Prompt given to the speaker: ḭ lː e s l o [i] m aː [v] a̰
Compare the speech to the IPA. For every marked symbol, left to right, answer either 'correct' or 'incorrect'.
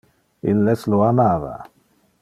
incorrect: a, correct

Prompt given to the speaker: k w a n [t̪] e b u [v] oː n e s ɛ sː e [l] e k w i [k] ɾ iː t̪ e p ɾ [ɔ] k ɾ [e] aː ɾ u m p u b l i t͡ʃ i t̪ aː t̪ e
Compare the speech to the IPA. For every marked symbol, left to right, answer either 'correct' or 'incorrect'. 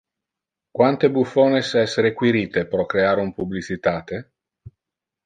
correct, incorrect: f, incorrect: ɾ, incorrect: none, correct, correct

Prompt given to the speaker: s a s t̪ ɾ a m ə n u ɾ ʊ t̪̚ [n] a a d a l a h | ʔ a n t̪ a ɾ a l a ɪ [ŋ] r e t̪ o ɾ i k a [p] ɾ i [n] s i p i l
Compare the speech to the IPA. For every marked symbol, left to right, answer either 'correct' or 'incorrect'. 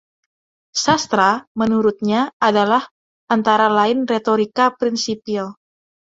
incorrect: ɲ, incorrect: n, correct, correct

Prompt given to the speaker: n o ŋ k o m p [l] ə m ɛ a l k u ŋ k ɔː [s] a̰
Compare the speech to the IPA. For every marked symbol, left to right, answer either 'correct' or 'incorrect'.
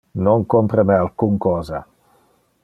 incorrect: ɾ, incorrect: z

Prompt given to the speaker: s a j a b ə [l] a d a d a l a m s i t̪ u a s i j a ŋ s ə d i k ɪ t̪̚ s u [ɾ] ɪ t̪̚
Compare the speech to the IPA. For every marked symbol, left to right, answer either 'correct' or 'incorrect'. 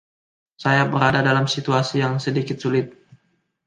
incorrect: ɾ, incorrect: l

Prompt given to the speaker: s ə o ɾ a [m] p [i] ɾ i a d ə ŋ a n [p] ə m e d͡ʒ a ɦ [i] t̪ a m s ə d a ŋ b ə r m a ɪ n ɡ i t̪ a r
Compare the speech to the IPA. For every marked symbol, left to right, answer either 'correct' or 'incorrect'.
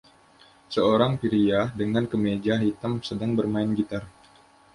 incorrect: ŋ, correct, incorrect: k, correct

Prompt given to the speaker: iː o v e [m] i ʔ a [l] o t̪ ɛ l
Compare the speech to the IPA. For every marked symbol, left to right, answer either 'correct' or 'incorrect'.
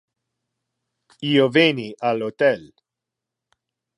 incorrect: n, correct

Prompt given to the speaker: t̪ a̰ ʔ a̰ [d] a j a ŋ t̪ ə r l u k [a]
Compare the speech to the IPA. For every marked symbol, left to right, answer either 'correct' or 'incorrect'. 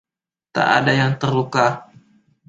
correct, correct

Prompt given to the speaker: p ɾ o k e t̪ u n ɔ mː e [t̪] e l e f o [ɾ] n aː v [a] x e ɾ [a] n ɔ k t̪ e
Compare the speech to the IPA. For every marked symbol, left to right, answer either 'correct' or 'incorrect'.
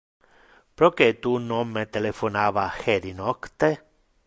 correct, incorrect: none, correct, incorrect: i

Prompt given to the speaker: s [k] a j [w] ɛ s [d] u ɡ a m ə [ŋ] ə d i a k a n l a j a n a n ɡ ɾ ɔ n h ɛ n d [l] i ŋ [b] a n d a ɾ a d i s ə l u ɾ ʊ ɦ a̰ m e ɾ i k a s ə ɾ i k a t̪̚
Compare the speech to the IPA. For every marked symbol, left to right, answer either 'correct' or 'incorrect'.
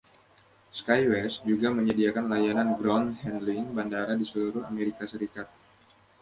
correct, correct, incorrect: d͡ʒ, incorrect: ɲ, correct, correct

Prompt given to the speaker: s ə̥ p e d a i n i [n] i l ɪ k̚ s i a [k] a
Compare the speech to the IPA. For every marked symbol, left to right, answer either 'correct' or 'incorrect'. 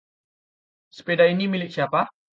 incorrect: m, incorrect: p

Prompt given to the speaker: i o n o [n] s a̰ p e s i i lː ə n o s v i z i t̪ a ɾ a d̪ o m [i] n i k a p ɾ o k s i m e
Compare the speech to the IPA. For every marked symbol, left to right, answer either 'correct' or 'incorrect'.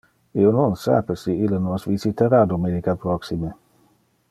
correct, incorrect: e

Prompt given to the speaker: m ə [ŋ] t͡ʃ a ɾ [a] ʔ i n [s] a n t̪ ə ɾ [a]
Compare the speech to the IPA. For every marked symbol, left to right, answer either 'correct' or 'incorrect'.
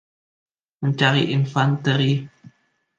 incorrect: ɲ, incorrect: i, incorrect: f, incorrect: i

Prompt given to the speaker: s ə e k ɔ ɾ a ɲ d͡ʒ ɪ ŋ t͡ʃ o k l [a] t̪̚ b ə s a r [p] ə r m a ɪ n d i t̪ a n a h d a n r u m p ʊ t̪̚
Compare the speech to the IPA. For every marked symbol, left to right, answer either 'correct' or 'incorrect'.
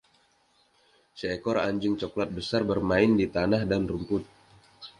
correct, incorrect: b

